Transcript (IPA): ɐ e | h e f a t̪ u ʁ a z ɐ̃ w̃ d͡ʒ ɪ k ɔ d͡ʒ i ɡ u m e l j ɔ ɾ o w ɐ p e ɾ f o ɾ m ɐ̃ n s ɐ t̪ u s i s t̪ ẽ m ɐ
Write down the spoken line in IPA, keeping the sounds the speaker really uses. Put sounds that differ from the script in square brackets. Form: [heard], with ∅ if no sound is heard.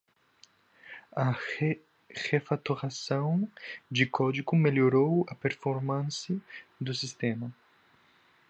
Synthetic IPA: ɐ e | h e f a t̪ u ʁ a [s] ɐ̃ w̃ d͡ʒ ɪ k ɔ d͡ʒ i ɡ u m e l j [o] ɾ o w ɐ p e ɾ f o ɾ m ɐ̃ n s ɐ [d̪] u s i s t̪ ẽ m ɐ